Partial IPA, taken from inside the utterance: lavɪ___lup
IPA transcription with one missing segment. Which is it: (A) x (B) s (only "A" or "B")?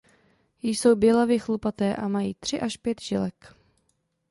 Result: A